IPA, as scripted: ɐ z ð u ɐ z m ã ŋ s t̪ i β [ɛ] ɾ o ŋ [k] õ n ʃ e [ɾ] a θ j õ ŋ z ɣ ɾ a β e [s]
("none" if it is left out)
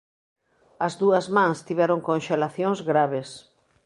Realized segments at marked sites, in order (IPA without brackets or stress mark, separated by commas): ɛ, k, l, s